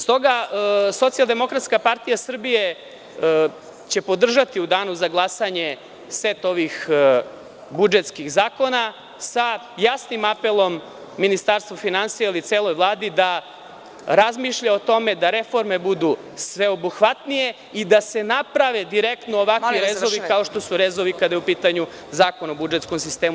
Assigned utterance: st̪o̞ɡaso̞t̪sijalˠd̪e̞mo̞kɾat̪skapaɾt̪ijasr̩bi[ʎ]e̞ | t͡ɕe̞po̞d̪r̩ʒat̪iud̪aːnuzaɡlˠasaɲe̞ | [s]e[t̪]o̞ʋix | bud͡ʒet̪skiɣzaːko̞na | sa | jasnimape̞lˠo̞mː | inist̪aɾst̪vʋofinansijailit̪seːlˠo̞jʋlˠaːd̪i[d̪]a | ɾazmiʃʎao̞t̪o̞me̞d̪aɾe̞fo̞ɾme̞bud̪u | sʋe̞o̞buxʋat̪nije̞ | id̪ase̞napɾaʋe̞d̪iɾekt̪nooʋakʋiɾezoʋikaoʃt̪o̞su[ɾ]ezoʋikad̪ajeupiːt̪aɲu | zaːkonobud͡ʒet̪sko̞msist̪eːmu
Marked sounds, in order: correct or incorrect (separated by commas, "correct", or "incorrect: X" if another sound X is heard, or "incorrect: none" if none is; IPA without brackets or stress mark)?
incorrect: j, correct, correct, correct, correct